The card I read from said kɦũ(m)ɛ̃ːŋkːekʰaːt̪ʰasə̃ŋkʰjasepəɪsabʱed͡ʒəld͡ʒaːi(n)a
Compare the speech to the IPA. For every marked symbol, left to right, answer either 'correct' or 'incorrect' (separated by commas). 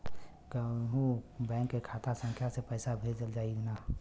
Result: incorrect, correct